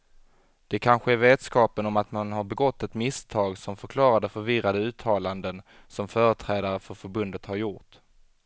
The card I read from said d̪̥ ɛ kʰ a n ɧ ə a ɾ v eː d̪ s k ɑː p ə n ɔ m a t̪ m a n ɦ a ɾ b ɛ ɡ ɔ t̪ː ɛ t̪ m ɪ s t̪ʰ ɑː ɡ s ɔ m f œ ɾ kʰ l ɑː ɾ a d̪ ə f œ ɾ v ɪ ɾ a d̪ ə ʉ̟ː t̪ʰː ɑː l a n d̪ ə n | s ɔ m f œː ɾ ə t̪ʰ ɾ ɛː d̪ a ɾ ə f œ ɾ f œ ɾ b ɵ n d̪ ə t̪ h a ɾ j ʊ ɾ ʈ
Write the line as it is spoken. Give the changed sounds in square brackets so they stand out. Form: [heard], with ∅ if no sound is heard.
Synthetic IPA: d̪̥ ɛ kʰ a n ɧ ə [æ] ɾ v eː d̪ s k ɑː p ə n ɔ m a t̪ m a n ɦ a ɾ b ɛ ɡ ɔ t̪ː ɛ t̪ m ɪ s t̪ʰ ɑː ɡ s ɔ m f œ ɾ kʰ l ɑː ɾ a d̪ ə f œ ɾ v ɪ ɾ a d̪ ə ʉ̟ː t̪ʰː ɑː l a n d̪ ə n | s ɔ m f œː ɾ ə t̪ʰ ɾ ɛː d̪ a ɾ ə f œ ɾ f œ ɾ b ɵ n d̪ ə t̪ h a ɾ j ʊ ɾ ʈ